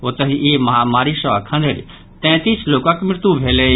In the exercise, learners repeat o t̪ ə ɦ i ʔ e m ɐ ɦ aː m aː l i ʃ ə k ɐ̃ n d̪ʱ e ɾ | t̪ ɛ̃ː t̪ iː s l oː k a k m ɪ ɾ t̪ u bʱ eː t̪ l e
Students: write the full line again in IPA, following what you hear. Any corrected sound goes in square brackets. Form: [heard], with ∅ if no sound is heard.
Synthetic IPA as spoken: o t̪ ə ɦ i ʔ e m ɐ ɦ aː m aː [ɾ] i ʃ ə [kʰ] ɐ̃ n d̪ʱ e ɾ | t̪ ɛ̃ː t̪ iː s l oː k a k m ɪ ɾ t̪ u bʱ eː [∅] l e